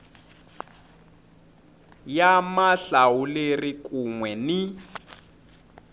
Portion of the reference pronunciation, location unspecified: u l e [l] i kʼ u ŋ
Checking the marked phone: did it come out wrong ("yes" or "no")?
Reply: yes